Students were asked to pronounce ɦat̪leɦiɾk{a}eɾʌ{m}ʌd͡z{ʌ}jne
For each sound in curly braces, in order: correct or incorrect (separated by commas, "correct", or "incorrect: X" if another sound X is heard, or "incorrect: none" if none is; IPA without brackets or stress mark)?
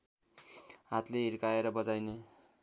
correct, incorrect: b, incorrect: a